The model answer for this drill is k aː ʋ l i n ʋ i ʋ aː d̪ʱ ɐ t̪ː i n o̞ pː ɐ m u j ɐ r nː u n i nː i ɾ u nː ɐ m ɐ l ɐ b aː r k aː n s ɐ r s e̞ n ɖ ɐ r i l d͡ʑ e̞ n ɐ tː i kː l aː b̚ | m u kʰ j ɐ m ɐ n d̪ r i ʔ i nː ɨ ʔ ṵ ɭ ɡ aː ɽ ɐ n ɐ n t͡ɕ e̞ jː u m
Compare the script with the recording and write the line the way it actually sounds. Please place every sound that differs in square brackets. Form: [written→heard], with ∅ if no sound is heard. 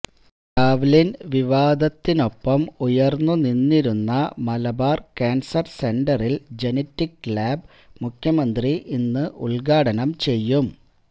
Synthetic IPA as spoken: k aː ʋ l i n ʋ i ʋ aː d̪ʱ ɐ t̪ː i n o̞ pː ɐ m u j ɐ r nː u n i nː i ɾ u nː ɐ m ɐ l ɐ b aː r k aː n s ɐ r s e̞ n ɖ ɐ r i l d͡ʑ e̞ n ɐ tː i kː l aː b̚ | m u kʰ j ɐ m ɐ n d̪ r i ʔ i nː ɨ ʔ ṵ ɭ ɡ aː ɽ ɐ n ɐ [n→m] t͡ɕ e̞ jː u m